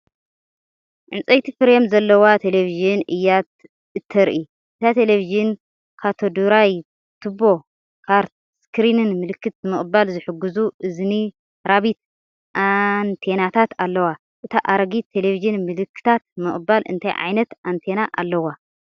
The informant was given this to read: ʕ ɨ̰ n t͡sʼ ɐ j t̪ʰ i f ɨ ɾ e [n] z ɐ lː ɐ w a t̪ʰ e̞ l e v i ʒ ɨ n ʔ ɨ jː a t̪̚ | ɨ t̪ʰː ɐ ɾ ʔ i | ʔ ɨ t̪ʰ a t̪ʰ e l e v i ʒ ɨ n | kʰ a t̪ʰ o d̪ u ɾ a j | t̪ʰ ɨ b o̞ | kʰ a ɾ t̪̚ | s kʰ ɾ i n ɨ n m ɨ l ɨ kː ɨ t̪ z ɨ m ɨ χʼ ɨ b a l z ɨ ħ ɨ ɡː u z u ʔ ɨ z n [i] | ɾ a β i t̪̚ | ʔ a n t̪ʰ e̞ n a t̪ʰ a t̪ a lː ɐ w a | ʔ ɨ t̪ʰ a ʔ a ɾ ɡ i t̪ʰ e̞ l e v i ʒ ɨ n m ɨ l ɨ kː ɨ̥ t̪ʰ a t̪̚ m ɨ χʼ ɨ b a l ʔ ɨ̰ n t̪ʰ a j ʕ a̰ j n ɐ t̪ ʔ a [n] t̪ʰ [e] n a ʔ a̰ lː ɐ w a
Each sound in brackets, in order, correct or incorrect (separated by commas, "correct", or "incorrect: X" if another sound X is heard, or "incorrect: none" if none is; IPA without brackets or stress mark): incorrect: m, correct, correct, correct